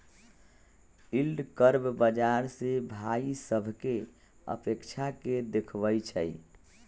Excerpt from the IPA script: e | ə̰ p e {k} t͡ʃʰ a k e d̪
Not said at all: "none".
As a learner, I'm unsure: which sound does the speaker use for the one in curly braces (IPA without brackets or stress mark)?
k